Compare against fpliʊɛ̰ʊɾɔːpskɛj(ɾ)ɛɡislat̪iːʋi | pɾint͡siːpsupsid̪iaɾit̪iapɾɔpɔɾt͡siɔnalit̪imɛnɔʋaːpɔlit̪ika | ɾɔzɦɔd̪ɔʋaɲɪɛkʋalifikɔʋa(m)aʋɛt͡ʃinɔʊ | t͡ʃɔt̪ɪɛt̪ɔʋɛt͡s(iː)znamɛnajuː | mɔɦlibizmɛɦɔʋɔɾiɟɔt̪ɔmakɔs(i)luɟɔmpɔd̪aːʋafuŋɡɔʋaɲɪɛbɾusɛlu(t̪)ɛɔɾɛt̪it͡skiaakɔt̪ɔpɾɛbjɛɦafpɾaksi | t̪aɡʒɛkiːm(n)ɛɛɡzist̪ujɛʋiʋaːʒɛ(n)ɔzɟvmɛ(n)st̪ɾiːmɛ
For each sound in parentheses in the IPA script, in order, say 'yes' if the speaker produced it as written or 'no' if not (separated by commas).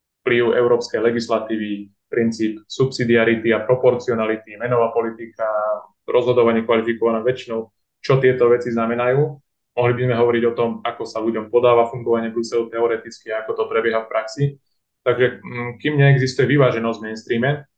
no, no, no, no, yes, no, yes, yes